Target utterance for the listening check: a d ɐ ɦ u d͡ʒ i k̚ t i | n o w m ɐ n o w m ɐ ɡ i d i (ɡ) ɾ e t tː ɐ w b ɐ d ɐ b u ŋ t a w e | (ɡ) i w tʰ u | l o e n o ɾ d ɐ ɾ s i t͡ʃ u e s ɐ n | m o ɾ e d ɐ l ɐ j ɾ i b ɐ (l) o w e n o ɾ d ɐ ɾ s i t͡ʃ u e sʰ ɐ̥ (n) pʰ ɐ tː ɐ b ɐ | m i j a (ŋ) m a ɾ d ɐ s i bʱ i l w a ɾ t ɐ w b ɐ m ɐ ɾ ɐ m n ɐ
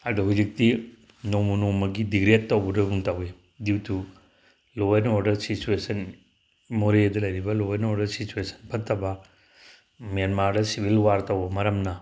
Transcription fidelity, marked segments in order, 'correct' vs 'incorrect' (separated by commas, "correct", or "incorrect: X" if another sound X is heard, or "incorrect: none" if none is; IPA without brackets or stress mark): correct, incorrect: d, correct, correct, incorrect: n